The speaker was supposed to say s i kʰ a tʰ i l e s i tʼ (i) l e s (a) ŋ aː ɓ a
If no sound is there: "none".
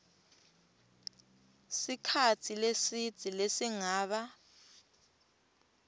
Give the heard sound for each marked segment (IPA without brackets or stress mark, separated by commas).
i, i